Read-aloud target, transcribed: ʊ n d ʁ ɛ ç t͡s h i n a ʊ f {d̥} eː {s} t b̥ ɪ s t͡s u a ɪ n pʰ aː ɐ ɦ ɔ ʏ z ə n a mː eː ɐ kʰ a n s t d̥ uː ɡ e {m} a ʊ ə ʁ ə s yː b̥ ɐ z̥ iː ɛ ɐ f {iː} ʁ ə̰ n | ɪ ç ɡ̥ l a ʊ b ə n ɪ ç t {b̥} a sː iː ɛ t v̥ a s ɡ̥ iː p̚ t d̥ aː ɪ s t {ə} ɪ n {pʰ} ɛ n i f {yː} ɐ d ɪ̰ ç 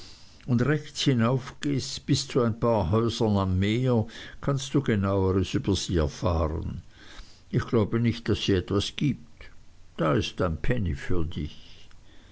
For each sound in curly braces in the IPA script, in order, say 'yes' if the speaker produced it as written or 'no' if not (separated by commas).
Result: no, yes, no, no, no, no, yes, yes